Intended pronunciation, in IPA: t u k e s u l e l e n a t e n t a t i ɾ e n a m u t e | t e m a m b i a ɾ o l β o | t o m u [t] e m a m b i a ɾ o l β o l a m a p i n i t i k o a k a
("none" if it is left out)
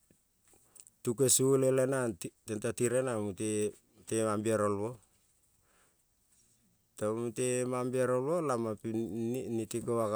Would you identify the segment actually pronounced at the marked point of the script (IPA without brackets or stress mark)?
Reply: t